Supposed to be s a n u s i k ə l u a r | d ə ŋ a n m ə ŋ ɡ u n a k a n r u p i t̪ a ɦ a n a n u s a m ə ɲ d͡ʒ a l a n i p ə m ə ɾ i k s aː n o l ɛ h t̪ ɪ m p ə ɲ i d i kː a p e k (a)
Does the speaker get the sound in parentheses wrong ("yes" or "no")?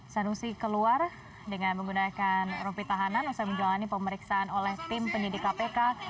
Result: no